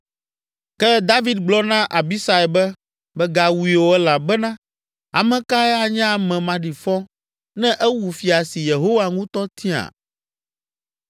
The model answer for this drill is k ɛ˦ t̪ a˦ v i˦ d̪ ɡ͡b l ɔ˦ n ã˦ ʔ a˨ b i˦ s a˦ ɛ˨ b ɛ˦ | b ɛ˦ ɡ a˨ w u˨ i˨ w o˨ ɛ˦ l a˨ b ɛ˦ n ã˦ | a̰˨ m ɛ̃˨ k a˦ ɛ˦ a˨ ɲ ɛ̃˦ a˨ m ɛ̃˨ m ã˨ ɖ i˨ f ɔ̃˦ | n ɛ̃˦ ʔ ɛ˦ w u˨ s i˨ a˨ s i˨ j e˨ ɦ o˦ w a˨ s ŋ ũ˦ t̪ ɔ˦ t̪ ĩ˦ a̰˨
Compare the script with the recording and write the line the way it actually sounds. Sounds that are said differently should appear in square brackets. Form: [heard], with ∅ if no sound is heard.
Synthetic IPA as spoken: k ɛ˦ [d̪] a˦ v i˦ d̪ ɡ͡b l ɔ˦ n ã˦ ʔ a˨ b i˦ s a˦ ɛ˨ b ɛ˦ | b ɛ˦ ɡ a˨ w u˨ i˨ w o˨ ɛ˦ l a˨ b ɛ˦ n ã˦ | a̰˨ m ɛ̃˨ k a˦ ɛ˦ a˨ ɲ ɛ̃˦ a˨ m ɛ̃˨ m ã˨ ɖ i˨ f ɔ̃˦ | n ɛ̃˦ ʔ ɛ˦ w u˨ [f] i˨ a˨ s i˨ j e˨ ɦ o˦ w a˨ [∅] ŋ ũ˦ t̪ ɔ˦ t̪ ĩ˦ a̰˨